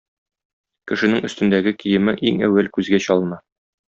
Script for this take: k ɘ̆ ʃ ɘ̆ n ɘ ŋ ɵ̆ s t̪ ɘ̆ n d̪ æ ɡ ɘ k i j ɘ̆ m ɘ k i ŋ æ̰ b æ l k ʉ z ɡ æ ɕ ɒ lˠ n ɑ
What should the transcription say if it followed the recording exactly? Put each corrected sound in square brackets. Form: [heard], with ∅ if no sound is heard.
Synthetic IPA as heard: k ɘ̆ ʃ ɘ̆ n ɘ ŋ ɵ̆ s t̪ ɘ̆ n d̪ æ ɡ ɘ k i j ɘ̆ m ɘ [ʔ] i ŋ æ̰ [w] æ l k ʉ z ɡ æ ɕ ɒ lˠ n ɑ

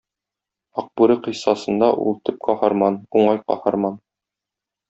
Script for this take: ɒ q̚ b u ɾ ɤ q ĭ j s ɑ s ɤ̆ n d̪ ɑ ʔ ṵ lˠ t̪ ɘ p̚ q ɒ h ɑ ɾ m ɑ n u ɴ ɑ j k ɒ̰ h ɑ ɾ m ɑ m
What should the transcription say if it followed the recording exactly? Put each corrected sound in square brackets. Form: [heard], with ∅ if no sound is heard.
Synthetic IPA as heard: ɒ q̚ b u ɾ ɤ q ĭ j s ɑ s ɤ̆ n d̪ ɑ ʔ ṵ lˠ t̪ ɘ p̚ q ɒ h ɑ ɾ m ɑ n u ɴ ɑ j [q] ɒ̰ h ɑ ɾ m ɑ [n]

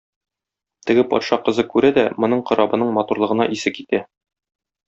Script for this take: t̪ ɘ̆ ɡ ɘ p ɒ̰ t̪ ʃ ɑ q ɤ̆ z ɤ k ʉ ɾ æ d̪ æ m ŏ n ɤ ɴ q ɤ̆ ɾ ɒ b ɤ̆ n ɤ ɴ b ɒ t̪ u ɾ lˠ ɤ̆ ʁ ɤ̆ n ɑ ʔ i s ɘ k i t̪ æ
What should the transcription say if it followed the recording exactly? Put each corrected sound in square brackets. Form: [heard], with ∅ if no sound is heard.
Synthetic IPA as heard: t̪ ɘ̆ ɡ ɘ p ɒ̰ t̪ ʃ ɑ q ɤ̆ z ɤ k ʉ ɾ æ d̪ æ m ŏ n ɤ ɴ q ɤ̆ ɾ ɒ b ɤ̆ n ɤ ɴ [m] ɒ t̪ u ɾ lˠ ɤ̆ ʁ ɤ̆ n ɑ ʔ i s ɘ k i t̪ æ

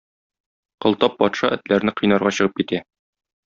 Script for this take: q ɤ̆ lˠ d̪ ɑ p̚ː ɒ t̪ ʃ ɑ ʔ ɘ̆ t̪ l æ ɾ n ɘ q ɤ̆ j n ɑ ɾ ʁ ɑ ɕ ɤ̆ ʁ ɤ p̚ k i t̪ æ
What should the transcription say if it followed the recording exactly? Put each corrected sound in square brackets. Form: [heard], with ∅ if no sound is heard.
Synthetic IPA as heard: q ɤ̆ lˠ [t̪] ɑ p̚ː ɒ t̪ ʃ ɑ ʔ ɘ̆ t̪ l æ ɾ n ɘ q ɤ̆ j n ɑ ɾ ʁ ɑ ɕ ɤ̆ ʁ ɤ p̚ k i t̪ æ

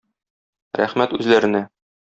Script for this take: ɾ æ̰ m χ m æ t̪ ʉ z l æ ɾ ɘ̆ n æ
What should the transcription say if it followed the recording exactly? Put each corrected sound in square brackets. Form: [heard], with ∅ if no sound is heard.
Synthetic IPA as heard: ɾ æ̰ [∅] χ m æ t̪ ʉ z l æ ɾ ɘ̆ n æ

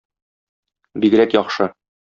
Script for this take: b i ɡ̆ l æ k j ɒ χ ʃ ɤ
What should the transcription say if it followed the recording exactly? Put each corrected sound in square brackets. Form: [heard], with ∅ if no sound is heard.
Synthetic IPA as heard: b i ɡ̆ [ɾ] æ k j ɒ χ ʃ ɤ

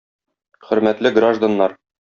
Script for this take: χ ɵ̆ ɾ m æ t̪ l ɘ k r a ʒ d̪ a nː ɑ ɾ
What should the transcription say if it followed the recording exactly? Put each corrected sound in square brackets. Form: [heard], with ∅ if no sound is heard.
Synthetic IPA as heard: χ ɵ̆ ɾ m æ t̪ l ɘ [ɡ] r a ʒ d̪ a nː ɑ ɾ

